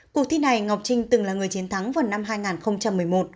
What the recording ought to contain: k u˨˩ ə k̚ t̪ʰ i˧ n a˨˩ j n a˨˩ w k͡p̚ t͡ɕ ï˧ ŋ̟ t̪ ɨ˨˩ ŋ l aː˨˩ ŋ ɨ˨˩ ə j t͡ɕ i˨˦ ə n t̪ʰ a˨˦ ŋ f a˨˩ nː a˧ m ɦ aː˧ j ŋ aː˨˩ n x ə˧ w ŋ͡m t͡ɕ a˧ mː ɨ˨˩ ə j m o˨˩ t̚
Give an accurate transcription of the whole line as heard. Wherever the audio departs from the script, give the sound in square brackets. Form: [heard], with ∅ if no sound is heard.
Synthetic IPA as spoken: k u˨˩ ə k̚ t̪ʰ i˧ n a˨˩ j [ŋ] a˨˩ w k͡p̚ t͡ɕ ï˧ ŋ̟ t̪ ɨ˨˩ ŋ l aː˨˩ ŋ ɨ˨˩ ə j t͡ɕ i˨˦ ə n t̪ʰ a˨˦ ŋ [v] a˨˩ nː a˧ m ɦ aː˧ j ŋ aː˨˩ n x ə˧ w ŋ͡m t͡ɕ a˧ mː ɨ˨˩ ə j m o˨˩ t̚